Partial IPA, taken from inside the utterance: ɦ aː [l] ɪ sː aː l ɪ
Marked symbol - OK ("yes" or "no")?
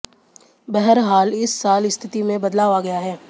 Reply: yes